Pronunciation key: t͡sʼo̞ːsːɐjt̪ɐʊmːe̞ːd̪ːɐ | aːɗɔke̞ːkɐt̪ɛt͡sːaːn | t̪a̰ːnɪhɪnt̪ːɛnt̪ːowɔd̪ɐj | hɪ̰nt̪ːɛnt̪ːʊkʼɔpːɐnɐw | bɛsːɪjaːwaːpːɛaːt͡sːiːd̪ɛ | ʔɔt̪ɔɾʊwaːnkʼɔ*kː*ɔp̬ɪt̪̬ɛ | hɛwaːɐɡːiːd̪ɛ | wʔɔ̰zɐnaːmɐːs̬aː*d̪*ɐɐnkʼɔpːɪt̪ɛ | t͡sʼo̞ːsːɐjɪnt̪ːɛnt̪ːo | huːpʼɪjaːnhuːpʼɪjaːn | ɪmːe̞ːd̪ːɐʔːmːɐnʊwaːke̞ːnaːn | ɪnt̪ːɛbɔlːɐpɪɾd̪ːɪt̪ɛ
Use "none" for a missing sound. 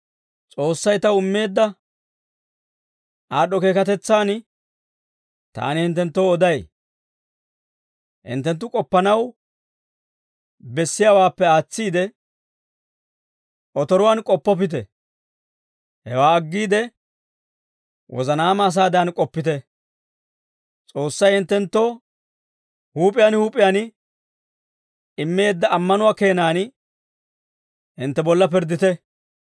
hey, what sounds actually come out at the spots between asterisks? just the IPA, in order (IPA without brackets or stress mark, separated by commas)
pː, d̪